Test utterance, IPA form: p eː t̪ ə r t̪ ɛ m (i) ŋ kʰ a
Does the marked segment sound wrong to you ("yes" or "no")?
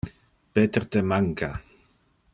yes